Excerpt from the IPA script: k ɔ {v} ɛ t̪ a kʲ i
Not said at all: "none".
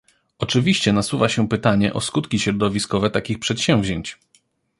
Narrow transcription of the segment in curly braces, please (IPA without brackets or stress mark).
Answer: v